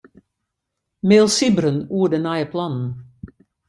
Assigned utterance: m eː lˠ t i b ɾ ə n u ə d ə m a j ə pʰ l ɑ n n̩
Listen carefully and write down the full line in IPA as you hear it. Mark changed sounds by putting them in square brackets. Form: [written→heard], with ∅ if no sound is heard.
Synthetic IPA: m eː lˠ [t→s] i b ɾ ə n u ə d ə [m→n] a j ə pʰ l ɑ n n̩